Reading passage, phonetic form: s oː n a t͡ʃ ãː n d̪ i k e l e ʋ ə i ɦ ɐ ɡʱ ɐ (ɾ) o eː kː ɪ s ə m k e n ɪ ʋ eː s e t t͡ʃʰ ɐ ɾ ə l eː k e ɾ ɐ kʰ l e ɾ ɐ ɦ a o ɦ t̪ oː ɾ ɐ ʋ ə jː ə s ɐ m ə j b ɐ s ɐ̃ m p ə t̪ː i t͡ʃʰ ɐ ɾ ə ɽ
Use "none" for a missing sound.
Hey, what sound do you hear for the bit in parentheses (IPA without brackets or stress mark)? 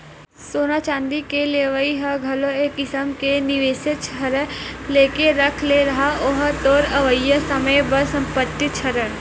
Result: l